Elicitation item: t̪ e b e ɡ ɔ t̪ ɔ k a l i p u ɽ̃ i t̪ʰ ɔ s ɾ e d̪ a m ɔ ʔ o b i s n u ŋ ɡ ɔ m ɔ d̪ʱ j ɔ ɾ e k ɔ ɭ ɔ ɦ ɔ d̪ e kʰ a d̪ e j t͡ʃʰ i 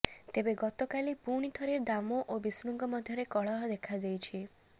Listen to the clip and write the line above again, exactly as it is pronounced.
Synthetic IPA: t̪ e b e ɡ ɔ t̪ ɔ k a l i p u ɽ̃ i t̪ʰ ɔ ɾ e d̪ a m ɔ ʔ o b i s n u ŋ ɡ ɔ m ɔ d̪ʱ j ɔ ɾ e k ɔ ɭ ɔ ɦ ɔ d̪ e kʰ a d̪ e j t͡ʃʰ i